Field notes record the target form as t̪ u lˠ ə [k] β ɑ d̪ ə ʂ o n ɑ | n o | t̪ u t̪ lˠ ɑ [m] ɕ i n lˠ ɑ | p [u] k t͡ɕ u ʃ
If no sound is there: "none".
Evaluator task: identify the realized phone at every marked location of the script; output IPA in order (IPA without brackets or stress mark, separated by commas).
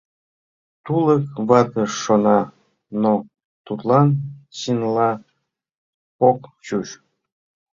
k, n, o